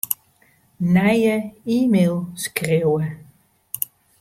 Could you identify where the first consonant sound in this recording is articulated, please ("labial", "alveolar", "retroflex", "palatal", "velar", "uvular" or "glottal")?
alveolar